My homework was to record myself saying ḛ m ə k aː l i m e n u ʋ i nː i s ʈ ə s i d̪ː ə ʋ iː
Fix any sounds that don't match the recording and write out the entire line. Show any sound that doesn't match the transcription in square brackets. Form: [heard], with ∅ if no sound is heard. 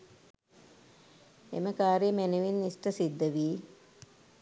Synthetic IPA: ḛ m ə k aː [ɾ] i m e n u ʋ i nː i s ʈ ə s i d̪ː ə ʋ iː